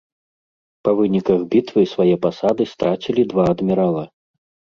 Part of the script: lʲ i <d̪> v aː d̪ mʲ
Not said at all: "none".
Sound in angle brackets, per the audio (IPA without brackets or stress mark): d̪